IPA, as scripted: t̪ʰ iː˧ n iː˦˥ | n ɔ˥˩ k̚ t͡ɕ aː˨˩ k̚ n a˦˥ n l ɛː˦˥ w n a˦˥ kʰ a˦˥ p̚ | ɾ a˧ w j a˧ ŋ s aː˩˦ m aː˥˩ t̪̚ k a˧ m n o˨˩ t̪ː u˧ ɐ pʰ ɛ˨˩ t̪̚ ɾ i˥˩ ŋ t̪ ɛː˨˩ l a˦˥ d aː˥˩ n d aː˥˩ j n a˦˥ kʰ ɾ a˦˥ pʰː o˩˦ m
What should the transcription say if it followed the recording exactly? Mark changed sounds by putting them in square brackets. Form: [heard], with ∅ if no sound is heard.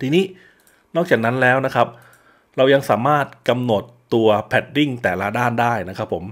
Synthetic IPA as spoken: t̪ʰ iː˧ n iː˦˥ | n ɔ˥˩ k̚ t͡ɕ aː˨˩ k̚ n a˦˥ n l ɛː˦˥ w n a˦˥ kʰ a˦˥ p̚ | ɾ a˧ w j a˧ ŋ s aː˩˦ m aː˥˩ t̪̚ k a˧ m n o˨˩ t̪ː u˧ ɐ pʰ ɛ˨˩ t̪̚ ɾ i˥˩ ŋ t̪ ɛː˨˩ l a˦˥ d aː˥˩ n d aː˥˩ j n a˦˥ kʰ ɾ a˦˥ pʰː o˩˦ m